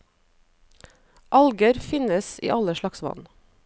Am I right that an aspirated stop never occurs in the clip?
yes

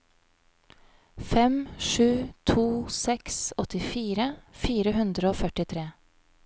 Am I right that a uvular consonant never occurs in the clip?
yes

